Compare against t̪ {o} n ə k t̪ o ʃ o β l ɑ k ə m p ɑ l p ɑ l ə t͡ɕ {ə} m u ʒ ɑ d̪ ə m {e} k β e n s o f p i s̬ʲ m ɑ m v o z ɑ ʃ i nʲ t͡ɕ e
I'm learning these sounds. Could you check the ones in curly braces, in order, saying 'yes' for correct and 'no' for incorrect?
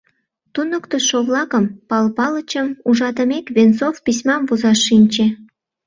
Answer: no, yes, yes

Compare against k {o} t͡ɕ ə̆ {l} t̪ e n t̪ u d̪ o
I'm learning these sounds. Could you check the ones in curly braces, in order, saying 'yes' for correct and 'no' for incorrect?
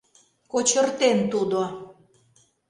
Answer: yes, no

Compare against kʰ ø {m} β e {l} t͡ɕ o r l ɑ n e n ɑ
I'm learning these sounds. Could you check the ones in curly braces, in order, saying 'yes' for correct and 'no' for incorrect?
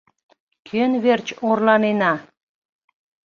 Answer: no, no

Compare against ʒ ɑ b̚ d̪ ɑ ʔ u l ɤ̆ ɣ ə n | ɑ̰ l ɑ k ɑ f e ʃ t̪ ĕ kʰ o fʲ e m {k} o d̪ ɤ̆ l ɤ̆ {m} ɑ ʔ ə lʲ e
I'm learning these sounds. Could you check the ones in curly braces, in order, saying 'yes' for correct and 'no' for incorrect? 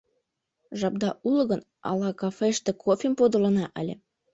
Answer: no, no

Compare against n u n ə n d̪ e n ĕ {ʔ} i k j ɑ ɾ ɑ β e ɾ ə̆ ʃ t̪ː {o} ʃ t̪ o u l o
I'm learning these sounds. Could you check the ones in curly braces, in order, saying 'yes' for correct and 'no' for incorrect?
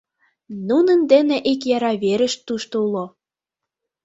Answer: yes, no

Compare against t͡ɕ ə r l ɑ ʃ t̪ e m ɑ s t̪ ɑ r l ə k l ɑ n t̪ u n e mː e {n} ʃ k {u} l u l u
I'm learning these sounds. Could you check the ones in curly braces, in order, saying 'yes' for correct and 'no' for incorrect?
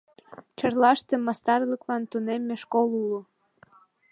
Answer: no, no

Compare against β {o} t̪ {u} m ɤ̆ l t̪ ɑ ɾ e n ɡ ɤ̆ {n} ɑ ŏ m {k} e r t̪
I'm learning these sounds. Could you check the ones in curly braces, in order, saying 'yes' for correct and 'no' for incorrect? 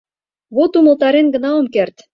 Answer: yes, yes, yes, yes

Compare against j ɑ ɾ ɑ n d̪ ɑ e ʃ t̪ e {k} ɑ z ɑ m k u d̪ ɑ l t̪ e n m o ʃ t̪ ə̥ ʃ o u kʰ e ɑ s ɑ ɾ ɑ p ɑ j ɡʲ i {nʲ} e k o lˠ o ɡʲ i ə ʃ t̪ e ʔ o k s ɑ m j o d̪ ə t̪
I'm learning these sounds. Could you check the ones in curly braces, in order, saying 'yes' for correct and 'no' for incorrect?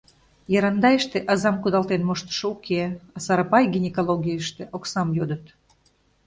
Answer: no, yes

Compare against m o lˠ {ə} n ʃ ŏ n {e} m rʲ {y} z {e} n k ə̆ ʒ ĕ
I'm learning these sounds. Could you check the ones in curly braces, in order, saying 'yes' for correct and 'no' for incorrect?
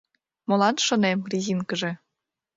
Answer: no, yes, no, no

